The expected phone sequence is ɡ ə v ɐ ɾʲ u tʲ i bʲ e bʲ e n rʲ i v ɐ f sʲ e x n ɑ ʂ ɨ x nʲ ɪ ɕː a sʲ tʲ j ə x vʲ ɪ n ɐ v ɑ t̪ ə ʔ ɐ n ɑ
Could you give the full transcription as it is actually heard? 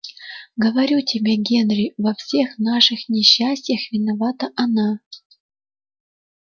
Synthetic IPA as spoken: ɡ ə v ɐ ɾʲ u tʲ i bʲ e ɡʲ e n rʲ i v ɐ f sʲ e x n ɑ ʂ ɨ x nʲ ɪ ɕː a sʲ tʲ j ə x vʲ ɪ n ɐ v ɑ t̪ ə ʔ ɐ n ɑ